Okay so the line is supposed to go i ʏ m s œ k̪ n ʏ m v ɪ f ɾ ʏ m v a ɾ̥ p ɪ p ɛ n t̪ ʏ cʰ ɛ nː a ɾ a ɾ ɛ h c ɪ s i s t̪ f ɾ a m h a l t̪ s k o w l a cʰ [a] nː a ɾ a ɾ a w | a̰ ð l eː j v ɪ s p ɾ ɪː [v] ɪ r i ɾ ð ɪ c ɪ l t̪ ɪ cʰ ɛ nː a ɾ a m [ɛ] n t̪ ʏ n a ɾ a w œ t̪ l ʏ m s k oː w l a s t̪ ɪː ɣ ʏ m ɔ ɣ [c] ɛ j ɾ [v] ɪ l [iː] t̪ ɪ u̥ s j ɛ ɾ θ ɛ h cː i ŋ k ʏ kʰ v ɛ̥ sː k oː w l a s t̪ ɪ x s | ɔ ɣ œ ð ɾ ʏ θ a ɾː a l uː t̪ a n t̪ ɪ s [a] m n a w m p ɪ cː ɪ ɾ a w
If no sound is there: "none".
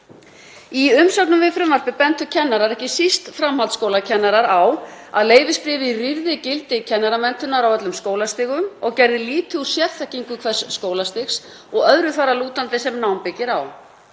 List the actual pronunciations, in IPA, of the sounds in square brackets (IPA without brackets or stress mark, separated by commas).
ɛ, v, ɛ, c, ð, iː, ɛ